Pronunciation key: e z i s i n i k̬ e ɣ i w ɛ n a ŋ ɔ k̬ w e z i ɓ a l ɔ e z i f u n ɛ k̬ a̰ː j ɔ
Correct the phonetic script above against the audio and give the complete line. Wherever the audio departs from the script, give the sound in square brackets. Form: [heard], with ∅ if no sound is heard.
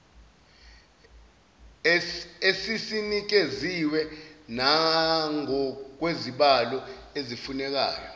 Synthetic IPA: e [s] i s i n i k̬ e [z] i w ɛ n a ŋ ɔ k̬ w e z i ɓ a l ɔ e z i f u n ɛ k̬ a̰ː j ɔ